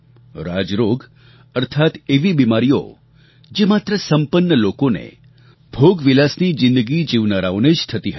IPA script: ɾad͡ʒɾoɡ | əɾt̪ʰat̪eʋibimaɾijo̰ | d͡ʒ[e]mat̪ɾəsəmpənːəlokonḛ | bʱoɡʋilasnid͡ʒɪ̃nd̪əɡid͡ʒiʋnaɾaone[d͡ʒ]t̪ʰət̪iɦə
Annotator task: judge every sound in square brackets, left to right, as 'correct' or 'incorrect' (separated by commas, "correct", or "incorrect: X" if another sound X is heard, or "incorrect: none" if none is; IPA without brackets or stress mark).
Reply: correct, correct